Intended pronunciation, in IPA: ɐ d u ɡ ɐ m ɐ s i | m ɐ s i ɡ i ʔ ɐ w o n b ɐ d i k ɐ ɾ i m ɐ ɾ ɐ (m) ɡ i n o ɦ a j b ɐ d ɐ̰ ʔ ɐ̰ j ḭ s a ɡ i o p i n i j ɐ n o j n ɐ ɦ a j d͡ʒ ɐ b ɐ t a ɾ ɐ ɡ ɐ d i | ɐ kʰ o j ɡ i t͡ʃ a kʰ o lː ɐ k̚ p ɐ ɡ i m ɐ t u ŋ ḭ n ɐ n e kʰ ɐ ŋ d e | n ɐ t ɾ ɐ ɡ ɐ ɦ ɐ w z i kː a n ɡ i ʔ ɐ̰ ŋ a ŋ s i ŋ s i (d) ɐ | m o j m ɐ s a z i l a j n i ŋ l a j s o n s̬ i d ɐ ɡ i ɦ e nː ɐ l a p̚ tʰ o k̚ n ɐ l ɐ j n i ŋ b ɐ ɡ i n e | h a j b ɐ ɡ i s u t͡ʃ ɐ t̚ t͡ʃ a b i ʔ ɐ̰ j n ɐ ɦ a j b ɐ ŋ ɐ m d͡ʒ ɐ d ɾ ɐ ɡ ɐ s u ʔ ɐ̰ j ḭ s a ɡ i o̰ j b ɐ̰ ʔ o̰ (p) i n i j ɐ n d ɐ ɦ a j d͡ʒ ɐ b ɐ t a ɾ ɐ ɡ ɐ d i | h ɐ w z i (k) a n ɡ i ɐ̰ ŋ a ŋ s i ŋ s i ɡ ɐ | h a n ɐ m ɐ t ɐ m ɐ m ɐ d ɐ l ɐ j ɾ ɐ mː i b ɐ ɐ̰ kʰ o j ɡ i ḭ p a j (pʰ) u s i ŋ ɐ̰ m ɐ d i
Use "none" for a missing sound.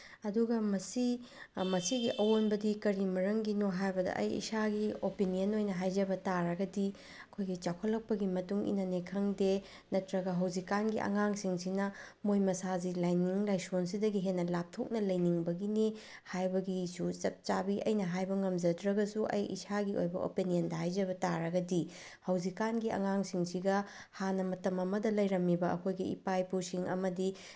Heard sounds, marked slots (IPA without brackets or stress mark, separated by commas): ŋ, n, p, k, p